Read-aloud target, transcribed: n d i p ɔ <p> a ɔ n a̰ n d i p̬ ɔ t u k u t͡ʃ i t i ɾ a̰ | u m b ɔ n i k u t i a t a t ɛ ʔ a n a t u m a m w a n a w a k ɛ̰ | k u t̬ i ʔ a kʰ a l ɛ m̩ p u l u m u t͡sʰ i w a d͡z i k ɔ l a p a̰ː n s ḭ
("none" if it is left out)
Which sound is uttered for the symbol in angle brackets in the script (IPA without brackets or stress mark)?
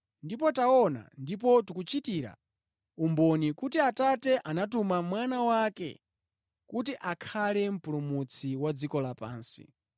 t